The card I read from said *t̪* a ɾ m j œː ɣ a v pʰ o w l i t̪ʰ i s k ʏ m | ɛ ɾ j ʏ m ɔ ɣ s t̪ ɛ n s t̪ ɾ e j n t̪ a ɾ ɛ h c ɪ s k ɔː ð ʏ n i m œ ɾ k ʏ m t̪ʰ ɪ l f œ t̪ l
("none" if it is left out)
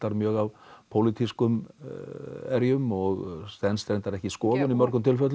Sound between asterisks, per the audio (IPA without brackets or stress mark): t̪